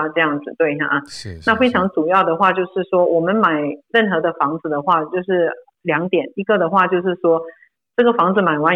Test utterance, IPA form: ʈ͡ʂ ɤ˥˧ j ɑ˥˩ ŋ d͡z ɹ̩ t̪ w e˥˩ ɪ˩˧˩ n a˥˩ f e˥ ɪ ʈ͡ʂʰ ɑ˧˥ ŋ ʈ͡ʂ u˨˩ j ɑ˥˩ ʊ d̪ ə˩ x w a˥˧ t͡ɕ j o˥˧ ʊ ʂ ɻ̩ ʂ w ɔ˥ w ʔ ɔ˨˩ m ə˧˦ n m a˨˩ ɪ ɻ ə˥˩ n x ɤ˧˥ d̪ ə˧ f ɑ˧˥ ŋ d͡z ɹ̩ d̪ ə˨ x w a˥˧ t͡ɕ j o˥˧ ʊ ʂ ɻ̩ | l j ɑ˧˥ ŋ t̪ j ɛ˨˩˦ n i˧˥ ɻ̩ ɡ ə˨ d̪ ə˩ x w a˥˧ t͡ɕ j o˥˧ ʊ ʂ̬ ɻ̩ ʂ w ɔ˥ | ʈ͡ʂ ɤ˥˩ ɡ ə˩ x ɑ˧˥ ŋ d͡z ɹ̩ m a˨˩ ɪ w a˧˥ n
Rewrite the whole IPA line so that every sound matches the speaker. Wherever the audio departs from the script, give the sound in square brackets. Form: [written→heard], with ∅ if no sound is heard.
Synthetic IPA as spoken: ʈ͡ʂ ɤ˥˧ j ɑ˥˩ ŋ d͡z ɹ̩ t̪ w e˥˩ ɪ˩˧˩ n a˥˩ f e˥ ɪ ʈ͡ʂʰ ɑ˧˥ ŋ ʈ͡ʂ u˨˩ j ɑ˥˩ ʊ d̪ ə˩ x w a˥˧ t͡ɕ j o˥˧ ʊ ʂ ɻ̩ ʂ w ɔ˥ w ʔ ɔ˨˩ m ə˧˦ n m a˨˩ ɪ ɻ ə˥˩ n x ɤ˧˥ d̪ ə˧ f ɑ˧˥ ŋ d͡z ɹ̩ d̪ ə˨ x w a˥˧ t͡ɕ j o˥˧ ʊ ʂ ɻ̩ | l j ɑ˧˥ ŋ t̪ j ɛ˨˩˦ n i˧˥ [ɻ̩→∅] ɡ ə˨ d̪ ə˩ x w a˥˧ t͡ɕ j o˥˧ ʊ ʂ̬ ɻ̩ ʂ w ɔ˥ | ʈ͡ʂ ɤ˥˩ ɡ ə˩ [x→f] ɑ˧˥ ŋ d͡z ɹ̩ m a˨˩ ɪ w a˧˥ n